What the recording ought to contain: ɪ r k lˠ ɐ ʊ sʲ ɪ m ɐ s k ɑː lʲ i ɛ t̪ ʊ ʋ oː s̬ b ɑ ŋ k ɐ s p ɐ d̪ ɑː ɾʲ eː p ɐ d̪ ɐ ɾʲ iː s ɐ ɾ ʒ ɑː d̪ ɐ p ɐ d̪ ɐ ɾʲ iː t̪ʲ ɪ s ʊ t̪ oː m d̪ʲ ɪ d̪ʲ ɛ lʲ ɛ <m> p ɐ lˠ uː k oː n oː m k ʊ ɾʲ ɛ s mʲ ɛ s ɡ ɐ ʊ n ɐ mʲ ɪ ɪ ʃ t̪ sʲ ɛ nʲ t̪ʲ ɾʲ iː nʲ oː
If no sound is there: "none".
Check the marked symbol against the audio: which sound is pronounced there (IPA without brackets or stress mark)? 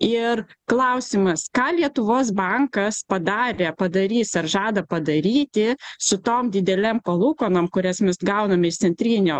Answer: m